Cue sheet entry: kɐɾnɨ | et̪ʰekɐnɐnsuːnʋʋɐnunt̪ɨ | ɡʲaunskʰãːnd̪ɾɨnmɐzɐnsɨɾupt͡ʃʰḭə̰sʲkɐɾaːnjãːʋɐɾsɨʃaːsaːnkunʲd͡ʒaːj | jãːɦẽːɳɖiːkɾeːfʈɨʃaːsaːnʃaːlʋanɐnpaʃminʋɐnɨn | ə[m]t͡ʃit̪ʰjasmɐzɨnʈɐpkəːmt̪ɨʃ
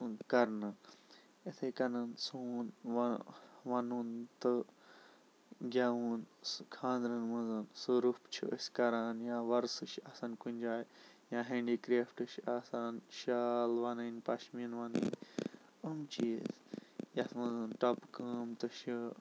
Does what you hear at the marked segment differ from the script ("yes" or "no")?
no